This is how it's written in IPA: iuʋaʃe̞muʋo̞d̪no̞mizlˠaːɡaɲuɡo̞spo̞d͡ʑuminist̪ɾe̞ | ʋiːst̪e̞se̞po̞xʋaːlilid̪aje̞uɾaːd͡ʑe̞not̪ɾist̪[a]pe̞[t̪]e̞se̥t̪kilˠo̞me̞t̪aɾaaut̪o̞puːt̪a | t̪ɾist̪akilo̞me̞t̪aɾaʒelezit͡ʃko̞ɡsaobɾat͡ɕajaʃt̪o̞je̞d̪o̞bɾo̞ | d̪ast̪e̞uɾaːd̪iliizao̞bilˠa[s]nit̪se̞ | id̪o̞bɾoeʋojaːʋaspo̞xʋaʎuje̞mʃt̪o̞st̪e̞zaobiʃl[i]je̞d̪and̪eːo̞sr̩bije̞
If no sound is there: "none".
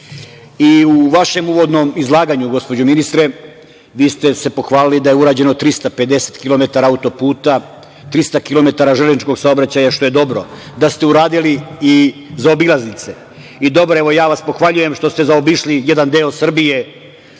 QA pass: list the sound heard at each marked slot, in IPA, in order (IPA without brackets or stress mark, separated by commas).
a, d̪, z, i